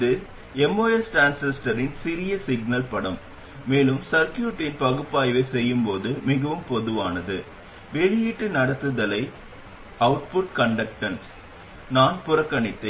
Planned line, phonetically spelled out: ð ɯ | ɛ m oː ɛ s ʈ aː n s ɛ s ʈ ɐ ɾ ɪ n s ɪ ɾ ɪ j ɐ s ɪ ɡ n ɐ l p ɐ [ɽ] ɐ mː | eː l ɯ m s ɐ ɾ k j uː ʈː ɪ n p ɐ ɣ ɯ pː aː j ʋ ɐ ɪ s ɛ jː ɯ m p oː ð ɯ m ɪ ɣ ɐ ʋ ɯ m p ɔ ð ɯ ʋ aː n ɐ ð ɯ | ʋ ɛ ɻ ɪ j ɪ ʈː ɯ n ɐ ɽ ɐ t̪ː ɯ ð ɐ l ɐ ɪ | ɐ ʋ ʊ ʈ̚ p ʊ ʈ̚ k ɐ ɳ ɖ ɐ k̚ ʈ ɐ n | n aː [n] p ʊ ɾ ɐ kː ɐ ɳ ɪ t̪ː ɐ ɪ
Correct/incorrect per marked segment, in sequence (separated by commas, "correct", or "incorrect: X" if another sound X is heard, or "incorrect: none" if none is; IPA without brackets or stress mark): correct, correct